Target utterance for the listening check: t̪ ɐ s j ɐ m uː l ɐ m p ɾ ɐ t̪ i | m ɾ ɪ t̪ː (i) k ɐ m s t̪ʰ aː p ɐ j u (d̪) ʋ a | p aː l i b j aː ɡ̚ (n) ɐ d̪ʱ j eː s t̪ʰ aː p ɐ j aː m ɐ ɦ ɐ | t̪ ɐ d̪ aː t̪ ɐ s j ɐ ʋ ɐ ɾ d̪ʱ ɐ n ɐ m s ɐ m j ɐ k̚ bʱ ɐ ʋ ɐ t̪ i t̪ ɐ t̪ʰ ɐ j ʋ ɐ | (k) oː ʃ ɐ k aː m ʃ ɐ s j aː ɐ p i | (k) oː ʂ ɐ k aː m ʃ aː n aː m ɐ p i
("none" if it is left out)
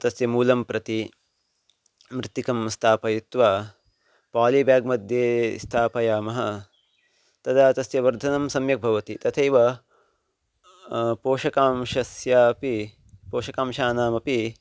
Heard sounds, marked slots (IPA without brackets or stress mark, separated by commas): i, t̪, m, p, p